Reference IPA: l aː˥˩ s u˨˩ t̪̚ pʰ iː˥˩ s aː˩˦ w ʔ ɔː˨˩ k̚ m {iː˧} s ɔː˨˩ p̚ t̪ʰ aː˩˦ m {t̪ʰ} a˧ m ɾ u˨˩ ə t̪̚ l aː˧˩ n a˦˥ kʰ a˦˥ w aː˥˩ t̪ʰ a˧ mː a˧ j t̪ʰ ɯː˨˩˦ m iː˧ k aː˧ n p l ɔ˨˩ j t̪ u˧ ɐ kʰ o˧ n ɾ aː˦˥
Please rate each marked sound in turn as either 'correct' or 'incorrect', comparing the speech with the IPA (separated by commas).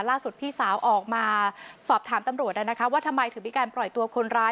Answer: incorrect, incorrect